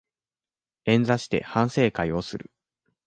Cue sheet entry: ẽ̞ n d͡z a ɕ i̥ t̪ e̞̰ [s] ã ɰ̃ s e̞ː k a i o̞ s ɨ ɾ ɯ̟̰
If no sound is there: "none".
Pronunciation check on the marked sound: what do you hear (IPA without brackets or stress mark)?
h